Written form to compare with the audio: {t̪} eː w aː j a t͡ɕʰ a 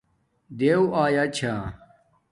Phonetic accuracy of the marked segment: incorrect: d̪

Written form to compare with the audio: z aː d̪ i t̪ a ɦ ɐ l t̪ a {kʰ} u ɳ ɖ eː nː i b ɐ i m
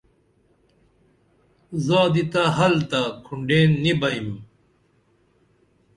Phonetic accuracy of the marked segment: correct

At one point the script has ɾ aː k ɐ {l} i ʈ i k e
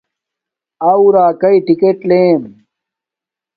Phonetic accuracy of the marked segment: incorrect: none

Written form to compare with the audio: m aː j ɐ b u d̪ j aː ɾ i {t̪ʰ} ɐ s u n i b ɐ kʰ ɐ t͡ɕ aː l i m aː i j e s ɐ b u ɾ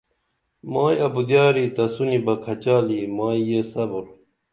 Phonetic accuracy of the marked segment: incorrect: t̪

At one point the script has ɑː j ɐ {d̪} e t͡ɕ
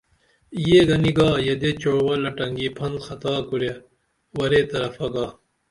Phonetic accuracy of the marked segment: correct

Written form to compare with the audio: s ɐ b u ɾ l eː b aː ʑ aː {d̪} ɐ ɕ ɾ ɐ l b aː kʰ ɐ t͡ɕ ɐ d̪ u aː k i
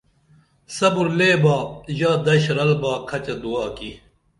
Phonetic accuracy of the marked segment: correct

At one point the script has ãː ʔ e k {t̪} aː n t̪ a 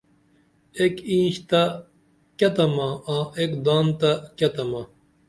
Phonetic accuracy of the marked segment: incorrect: d̪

